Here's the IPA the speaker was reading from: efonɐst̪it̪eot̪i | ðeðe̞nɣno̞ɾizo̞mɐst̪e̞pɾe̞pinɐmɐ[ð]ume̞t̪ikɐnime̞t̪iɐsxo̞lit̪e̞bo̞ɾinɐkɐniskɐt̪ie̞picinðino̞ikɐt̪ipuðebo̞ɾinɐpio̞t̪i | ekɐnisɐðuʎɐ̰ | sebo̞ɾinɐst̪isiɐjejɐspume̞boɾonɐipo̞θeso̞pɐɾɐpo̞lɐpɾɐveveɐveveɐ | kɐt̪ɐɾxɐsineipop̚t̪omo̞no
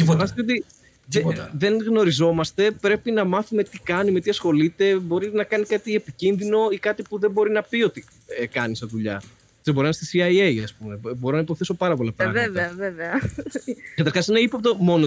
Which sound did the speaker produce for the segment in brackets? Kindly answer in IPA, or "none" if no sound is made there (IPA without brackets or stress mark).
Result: θ